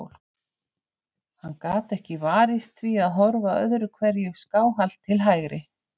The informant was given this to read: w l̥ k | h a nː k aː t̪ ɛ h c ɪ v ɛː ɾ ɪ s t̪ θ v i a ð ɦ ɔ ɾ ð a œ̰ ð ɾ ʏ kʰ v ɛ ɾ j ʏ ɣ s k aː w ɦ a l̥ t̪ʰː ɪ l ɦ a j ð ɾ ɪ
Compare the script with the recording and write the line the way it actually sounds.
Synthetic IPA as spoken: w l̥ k | h a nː k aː t̪ ɛ h c ɪ v aː ɾ ɪ s t̪ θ v i a ð ɦ ɔ ɾ v a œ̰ ð ɾ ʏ kʰ v ɛ ɾ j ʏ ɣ s k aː w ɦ a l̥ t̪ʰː ɪ l ɦ a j ɣ ɾ ɪ